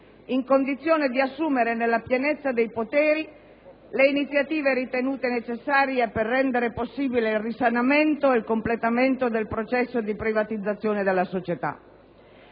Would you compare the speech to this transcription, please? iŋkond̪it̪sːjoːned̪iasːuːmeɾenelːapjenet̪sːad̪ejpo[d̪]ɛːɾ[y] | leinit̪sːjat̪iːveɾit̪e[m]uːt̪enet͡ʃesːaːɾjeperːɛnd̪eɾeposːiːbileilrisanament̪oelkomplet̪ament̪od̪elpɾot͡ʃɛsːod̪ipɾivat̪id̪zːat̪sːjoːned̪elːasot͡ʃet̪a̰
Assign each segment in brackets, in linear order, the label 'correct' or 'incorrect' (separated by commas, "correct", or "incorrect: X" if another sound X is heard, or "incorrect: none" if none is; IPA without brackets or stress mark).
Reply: incorrect: t̪, incorrect: i, incorrect: n